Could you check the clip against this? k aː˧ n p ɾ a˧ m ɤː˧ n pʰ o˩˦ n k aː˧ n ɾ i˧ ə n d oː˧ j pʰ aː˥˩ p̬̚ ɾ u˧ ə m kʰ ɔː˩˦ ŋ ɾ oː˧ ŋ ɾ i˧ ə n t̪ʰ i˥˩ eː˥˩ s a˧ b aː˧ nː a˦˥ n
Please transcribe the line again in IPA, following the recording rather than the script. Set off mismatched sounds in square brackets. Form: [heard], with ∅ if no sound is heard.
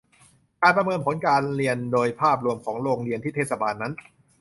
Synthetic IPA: k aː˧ n p ɾ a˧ m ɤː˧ n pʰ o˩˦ n k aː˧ n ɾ i˧ ə n d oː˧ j pʰ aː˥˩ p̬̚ ɾ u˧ ə m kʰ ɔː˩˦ ŋ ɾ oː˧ ŋ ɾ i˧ ə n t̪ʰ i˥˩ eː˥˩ s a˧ b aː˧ nː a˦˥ n

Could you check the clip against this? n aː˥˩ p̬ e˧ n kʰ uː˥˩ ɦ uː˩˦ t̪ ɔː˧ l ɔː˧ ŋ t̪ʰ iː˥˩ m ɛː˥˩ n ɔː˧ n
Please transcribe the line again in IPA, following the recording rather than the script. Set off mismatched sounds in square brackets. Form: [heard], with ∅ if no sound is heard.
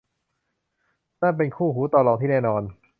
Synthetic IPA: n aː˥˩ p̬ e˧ n kʰ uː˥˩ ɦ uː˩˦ t̪ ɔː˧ l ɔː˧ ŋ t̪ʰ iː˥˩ [n] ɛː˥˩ n ɔː˧ n

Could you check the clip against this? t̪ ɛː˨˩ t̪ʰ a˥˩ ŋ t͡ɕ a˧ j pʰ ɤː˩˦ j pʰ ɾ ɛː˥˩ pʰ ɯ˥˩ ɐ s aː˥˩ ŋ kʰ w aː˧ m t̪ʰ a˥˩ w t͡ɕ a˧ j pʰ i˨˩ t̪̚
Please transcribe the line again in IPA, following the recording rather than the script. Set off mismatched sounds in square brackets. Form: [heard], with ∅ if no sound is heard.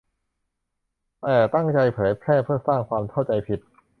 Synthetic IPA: t̪ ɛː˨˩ [t̪] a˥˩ ŋ t͡ɕ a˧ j pʰ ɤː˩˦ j pʰ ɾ ɛː˥˩ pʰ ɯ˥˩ ɐ s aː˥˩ ŋ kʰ w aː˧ m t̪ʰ a˥˩ w t͡ɕ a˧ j pʰ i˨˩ t̪̚

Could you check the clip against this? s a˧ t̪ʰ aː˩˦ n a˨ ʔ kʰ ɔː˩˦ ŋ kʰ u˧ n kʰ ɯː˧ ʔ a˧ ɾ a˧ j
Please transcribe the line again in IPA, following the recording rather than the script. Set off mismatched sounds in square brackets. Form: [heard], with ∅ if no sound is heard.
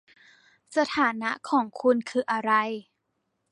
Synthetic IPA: s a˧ t̪ʰ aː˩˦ n [a˦˥] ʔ kʰ ɔː˩˦ ŋ kʰ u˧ n kʰ ɯː˧ ʔ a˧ ɾ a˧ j

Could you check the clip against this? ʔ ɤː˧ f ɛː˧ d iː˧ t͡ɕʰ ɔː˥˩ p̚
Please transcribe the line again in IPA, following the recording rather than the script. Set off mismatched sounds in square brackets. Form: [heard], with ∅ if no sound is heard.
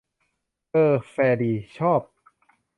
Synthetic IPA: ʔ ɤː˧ f ɛː˧ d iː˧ t͡ɕʰ ɔː˥˩ p̚

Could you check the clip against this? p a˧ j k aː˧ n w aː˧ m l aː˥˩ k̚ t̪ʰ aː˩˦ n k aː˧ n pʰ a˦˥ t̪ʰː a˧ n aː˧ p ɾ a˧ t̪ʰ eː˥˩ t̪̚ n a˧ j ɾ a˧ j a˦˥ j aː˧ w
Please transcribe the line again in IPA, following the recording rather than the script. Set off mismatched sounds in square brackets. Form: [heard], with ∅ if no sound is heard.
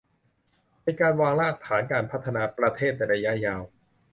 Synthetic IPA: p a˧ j k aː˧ n w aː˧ [ŋ] l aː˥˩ k̚ t̪ʰ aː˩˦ n k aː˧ n pʰ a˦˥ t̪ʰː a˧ n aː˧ p ɾ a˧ t̪ʰ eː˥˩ t̪̚ n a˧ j ɾ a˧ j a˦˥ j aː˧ w

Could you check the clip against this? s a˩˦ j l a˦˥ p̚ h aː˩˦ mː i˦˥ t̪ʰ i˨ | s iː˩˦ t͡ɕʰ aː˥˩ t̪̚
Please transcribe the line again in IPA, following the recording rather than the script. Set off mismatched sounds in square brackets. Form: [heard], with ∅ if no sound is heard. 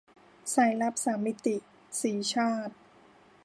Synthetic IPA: s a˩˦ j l a˦˥ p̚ [s] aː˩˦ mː i˦˥ [t̪] i˨ | s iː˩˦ t͡ɕʰ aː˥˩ t̪̚

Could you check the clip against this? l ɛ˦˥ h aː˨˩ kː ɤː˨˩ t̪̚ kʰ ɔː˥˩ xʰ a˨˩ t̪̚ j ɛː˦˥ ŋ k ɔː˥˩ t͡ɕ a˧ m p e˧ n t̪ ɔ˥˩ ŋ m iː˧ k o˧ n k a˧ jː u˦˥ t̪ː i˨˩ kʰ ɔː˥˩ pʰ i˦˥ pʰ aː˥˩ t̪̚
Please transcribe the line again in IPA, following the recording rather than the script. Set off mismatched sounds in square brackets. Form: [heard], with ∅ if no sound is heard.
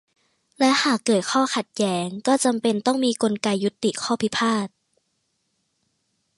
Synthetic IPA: l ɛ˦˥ h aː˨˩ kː ɤː˨˩ t̪̚ kʰ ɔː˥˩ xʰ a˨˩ t̪̚ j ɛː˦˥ ŋ k ɔː˥˩ t͡ɕ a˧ m p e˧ n t̪ ɔ˥˩ ŋ m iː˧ k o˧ n k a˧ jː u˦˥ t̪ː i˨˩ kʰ ɔː˥˩ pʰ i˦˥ pʰ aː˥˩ t̪̚

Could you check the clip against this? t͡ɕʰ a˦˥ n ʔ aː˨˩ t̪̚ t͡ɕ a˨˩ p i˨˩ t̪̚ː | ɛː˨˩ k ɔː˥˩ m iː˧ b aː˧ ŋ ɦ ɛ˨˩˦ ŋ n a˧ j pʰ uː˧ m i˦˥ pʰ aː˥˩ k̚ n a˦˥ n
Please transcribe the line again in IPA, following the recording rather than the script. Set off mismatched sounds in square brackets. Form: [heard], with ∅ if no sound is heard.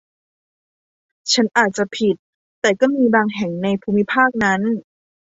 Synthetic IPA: t͡ɕʰ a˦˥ n ʔ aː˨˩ t̪̚ t͡ɕ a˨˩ [pʰ] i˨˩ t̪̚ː | ɛː˨˩ k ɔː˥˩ m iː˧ b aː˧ ŋ ɦ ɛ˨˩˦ ŋ n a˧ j pʰ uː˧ m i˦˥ pʰ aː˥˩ k̚ n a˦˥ n

